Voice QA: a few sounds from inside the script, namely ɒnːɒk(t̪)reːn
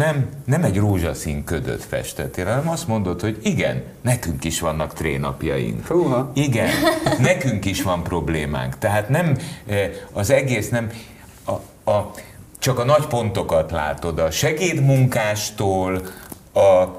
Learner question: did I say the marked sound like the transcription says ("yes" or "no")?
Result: yes